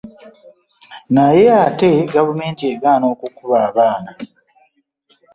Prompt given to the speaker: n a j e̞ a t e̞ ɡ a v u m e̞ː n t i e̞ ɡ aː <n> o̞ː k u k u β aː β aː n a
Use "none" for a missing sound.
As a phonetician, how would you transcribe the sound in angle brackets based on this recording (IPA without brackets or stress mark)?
n